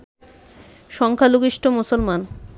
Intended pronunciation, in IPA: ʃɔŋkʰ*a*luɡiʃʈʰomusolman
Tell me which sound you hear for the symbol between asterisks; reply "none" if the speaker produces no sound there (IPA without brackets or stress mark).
a